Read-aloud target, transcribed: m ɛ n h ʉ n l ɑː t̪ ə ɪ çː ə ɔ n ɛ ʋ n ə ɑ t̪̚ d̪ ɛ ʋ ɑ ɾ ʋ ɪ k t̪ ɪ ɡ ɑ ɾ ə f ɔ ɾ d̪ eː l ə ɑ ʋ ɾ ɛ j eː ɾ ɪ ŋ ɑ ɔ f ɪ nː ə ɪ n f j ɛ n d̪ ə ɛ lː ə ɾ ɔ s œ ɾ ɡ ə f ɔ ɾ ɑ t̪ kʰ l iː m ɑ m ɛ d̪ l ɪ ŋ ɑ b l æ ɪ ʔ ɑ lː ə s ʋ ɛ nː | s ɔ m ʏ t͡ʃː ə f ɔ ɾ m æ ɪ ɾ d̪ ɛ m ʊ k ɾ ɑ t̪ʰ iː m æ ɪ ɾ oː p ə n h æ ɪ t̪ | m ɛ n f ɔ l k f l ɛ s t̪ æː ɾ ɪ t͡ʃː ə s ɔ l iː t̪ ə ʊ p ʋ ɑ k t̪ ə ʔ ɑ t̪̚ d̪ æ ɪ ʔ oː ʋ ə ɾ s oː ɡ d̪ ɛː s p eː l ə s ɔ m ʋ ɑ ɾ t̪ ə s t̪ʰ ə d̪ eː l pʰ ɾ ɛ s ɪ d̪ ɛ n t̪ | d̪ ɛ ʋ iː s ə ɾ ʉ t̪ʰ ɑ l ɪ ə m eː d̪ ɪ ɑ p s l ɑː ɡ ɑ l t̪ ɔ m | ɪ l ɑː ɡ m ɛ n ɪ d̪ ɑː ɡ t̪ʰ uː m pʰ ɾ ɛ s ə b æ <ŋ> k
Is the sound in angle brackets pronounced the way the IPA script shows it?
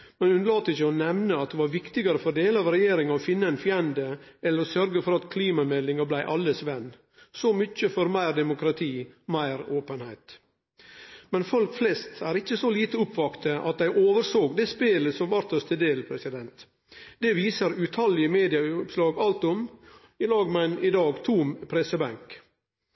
yes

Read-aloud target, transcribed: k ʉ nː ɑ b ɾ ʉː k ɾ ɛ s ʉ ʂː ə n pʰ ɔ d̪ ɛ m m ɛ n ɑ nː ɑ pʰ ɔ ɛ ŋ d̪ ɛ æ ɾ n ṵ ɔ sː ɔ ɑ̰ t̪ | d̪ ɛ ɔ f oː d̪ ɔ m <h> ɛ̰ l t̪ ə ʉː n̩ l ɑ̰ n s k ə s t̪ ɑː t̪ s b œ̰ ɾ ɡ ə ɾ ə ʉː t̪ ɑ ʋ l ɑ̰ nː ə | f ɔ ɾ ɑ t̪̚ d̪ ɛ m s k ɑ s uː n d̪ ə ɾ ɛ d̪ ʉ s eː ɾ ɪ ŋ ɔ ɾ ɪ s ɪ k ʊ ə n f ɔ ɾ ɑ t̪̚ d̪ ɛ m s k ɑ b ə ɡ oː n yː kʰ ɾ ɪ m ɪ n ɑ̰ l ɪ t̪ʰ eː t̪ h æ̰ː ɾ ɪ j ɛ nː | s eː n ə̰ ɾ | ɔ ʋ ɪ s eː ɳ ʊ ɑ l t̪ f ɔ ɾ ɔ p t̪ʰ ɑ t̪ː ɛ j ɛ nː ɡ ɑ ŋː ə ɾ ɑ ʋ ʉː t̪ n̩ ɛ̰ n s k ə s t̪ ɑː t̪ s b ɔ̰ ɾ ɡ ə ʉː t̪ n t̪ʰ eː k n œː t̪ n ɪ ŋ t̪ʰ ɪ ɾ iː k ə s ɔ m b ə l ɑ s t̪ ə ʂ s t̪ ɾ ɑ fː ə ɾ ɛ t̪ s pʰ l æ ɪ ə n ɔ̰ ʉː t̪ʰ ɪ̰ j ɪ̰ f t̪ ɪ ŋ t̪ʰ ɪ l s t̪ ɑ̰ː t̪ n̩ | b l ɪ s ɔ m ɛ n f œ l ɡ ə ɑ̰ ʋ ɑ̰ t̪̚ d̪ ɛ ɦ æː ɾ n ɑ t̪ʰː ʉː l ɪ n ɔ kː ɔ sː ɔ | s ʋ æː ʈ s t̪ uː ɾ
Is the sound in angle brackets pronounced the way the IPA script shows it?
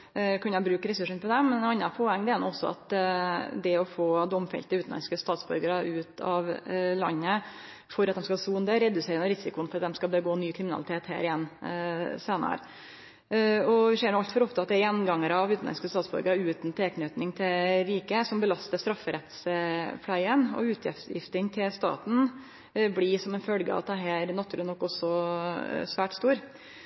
no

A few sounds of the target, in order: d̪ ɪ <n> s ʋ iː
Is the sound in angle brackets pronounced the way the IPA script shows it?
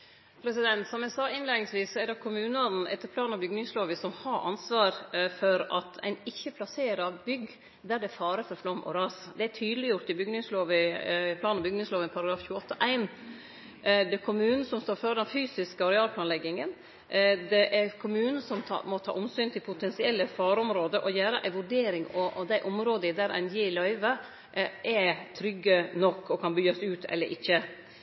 no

